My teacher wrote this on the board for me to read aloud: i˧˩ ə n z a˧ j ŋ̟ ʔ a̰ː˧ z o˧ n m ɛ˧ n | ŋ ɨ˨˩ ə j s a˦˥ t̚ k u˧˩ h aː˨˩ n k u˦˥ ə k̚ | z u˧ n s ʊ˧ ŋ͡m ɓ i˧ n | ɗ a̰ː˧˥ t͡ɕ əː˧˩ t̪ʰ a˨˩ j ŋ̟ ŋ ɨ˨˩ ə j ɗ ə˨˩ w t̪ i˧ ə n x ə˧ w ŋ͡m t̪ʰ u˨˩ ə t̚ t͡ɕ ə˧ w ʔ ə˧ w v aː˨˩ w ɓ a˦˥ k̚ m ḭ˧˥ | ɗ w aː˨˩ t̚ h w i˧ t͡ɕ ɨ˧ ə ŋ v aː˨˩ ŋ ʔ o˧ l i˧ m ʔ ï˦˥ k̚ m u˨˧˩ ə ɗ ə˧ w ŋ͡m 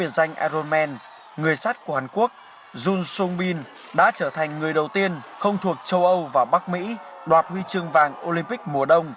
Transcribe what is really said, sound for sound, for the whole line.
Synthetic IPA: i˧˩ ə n z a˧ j ŋ̟ ʔ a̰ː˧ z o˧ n m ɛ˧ n | ŋ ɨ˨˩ ə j s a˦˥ t̚ k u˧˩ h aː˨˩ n k u˦˥ ə k̚ | z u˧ n s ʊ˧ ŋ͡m ɓ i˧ n | ɗ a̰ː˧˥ t͡ɕ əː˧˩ t̪ʰ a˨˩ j ŋ̟ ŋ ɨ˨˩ ə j ɗ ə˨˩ w t̪ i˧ ə n x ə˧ w ŋ͡m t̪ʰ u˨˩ ə k̚ t͡ɕ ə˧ w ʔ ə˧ w v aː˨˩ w ɓ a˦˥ k̚ m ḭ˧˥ | ɗ w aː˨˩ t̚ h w i˧ t͡ɕ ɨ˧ ə ŋ v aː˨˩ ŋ ʔ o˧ l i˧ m p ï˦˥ k̚ m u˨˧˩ ə ɗ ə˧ w ŋ͡m